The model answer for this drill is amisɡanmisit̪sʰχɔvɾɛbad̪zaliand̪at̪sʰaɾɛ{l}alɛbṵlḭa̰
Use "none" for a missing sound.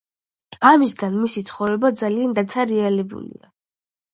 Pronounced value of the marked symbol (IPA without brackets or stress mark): none